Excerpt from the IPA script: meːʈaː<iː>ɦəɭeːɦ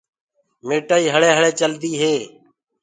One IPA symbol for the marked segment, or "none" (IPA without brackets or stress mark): iː